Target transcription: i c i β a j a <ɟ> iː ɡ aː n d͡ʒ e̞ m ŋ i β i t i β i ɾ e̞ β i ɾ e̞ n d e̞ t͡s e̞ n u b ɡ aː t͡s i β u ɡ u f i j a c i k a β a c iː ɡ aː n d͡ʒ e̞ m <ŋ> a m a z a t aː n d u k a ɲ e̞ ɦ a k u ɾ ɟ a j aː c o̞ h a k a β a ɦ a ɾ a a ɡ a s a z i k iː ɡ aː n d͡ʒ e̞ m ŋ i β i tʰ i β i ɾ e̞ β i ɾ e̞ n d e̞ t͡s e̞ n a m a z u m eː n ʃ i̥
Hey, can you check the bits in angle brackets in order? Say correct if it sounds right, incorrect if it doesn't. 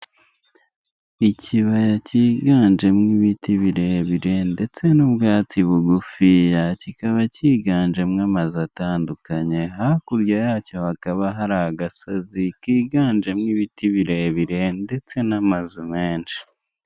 incorrect, correct

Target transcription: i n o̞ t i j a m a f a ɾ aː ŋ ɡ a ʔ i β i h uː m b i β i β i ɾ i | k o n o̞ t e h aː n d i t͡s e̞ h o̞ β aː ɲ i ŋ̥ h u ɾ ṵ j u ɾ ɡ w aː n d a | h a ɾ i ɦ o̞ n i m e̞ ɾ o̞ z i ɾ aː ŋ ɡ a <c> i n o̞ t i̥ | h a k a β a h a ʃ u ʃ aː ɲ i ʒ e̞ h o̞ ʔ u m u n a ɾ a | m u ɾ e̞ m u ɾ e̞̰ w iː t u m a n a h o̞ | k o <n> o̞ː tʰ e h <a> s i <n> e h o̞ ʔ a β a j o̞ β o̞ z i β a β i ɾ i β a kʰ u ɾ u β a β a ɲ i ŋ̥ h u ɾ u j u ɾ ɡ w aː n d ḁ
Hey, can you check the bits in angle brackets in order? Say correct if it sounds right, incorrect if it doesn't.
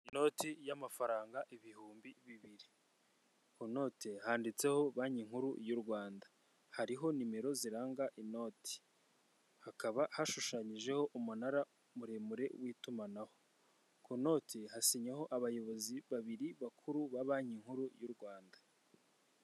incorrect, correct, correct, incorrect

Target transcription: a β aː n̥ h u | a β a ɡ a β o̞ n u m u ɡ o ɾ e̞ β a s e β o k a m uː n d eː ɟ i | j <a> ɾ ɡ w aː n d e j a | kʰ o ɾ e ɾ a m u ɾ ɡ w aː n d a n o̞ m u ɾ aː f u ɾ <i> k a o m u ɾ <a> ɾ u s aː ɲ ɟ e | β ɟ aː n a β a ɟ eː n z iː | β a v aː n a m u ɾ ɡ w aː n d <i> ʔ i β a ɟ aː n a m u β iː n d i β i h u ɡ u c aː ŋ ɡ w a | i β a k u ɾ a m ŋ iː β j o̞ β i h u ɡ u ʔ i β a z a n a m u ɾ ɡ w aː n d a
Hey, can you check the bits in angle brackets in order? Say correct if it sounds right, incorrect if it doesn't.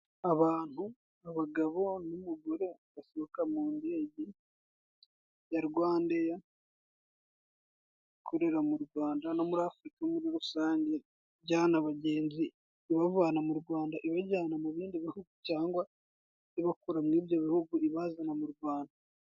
correct, correct, incorrect, incorrect

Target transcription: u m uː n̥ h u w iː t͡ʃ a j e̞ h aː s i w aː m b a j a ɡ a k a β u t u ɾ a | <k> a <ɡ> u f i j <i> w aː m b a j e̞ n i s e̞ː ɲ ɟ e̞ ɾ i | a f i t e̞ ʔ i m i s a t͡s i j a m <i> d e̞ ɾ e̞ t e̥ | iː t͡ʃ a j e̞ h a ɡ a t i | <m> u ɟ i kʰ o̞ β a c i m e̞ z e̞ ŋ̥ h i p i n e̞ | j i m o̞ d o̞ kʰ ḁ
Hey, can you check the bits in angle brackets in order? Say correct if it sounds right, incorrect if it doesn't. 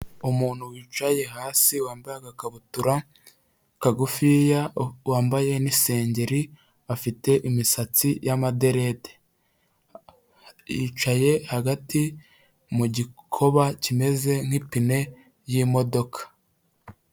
correct, correct, incorrect, incorrect, correct

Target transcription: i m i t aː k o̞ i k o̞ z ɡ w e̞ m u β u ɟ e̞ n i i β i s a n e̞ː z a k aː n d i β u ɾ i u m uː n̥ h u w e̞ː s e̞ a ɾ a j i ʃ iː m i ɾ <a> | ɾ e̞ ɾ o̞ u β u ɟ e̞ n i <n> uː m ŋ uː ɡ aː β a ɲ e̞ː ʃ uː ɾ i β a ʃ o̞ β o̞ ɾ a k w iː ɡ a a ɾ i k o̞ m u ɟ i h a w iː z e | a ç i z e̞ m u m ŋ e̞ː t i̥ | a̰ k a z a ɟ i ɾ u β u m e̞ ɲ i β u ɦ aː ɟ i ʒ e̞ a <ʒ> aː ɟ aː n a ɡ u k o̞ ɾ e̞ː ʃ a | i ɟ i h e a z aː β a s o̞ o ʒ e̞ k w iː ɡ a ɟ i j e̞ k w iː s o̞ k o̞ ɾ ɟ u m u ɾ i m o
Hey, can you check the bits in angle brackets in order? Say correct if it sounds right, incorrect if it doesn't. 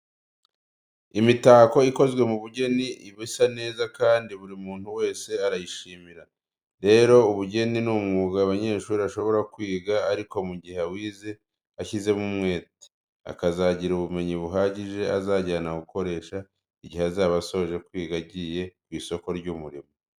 correct, correct, incorrect

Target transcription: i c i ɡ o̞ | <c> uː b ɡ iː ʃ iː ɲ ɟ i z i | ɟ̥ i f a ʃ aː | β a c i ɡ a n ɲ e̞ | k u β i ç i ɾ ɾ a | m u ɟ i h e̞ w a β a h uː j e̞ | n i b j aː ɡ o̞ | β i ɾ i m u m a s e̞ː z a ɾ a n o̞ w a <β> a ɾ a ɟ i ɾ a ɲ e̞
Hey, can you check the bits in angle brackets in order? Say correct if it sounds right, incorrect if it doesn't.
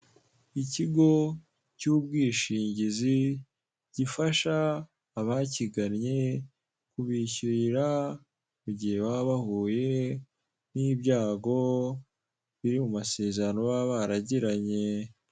correct, correct

